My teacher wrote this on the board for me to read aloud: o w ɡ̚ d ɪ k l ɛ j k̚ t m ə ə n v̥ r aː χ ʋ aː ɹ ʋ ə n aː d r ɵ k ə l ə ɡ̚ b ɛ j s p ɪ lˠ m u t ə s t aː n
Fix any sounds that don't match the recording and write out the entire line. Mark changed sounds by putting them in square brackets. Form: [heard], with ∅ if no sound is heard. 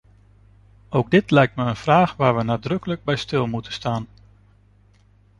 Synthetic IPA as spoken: o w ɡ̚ d ɪ [t] l ɛ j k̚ t m ə ə n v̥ r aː χ ʋ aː ɹ ʋ ə n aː d r ɵ k ə l ə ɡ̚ b ɛ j s [t] ɪ lˠ m u t ə s t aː n